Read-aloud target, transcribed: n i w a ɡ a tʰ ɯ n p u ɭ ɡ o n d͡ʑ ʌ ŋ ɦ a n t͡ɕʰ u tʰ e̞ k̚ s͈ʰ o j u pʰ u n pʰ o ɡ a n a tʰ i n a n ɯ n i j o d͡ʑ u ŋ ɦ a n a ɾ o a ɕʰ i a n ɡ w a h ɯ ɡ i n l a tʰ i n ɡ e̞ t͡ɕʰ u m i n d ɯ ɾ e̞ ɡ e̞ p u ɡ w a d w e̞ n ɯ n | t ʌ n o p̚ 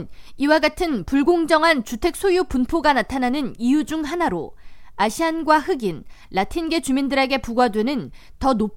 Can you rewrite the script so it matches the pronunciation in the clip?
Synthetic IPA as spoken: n i w a ɡ a tʰ ɯ n p u ɭ ɡ o ŋ d͡ʑ ʌ ŋ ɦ a n t͡ɕ u tʰ e̞ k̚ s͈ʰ o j u p u n pʰ o ɡ a n a tʰ a n a n ɯ n i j u d͡ʑ u ŋ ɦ a n a ɾ o a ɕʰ i a n ɡ w a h ɯ ɡ i n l a tʰ i n ɡ e̞ t͡ɕ u m i n d ɯ ɾ e̞ ɡ e̞ p u ɡ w a d w e̞ n ɯ n | t ʌ n o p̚